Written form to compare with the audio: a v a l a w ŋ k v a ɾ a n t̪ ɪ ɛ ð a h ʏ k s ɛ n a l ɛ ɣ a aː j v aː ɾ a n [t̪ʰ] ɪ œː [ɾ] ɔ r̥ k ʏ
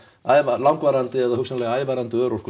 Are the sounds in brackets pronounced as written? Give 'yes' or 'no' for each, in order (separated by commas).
no, yes